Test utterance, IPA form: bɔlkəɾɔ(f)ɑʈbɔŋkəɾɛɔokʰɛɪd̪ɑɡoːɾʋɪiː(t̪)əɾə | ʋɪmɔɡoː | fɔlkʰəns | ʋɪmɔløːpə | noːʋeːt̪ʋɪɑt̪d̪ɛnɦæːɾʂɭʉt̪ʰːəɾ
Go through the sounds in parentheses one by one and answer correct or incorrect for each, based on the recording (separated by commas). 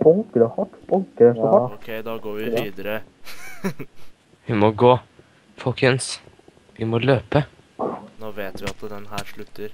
incorrect, incorrect